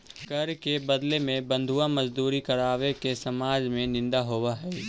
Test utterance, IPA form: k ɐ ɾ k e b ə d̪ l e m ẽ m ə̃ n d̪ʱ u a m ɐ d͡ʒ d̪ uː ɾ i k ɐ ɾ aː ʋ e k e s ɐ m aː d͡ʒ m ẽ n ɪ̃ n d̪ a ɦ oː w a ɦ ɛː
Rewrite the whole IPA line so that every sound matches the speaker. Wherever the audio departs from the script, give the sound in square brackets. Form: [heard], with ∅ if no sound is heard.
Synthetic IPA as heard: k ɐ ɾ k e b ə d̪ l e m ẽ [b] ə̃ n d̪ʱ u a m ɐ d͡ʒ d̪ uː ɾ i k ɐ ɾ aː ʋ e k e s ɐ m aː d͡ʒ m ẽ n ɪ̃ n d̪ a ɦ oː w a ɦ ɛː